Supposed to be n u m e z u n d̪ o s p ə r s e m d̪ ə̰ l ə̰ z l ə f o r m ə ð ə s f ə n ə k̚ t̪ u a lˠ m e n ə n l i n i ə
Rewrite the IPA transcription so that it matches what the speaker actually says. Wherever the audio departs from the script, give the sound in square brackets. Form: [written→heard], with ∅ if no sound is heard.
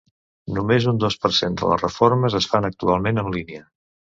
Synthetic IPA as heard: n u m e z u n d̪ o s p ə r s e [m→n] d̪ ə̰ l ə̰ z [l→r] ə f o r m ə [ð→z] ə s f [ə→a] n ə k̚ t̪ u a lˠ m e n ə n l i n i ə